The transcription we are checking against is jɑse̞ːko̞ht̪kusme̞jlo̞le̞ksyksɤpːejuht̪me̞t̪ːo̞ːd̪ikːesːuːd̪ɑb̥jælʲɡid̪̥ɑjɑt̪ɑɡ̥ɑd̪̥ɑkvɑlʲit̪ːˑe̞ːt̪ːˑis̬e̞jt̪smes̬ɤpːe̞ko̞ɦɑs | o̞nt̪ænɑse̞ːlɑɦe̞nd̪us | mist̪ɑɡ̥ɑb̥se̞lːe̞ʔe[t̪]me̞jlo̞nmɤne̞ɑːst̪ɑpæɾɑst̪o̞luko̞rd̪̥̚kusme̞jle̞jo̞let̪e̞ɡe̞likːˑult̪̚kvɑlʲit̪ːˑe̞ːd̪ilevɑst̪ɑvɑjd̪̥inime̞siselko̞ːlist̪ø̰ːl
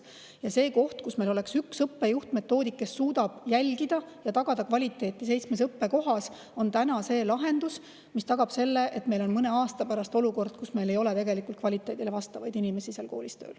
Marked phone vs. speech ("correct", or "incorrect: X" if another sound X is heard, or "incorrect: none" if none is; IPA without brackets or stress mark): correct